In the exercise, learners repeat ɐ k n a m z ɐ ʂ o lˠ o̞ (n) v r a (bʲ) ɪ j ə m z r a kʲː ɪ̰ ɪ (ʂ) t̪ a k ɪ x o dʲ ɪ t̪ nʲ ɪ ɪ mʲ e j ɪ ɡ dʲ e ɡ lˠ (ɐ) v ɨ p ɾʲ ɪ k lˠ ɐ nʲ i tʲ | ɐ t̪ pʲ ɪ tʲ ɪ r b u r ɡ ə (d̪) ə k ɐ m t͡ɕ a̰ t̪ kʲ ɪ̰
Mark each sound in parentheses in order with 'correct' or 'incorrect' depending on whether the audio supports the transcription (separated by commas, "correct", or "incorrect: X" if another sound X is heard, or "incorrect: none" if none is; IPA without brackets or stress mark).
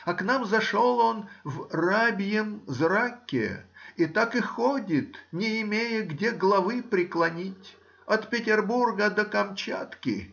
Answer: correct, correct, incorrect: none, correct, correct